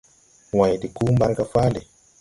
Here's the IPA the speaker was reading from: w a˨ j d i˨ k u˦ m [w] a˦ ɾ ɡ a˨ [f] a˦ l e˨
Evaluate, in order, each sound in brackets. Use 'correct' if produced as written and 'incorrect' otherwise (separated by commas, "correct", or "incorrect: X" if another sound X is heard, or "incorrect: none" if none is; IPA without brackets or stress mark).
incorrect: b, correct